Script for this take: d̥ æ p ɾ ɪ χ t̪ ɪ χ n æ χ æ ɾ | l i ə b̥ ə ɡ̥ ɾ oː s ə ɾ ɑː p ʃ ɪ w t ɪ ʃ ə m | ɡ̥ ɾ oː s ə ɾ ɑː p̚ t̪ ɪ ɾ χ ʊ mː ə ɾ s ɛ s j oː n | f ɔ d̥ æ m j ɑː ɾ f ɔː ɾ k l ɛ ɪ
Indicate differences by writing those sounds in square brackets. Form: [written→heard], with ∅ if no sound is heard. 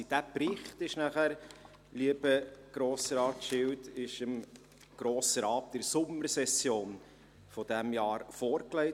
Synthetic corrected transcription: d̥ æ p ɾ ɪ χ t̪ ɪ [χ→ʃ] n æ χ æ ɾ | l i ə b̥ ə ɡ̥ ɾ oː s ə ɾ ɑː [p→t] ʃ ɪ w t ɪ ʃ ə m | ɡ̥ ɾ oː s ə ɾ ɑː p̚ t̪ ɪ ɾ [χ→s] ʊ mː ə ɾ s ɛ s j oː n | f ɔ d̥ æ m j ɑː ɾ f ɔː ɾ k l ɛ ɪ